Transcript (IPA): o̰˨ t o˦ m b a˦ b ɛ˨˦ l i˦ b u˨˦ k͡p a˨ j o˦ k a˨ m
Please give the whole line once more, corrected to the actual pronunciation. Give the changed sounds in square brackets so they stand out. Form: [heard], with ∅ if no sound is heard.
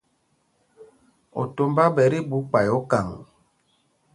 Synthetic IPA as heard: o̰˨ t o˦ m b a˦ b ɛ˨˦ [ɾ] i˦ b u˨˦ k͡p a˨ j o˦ k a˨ [ŋ]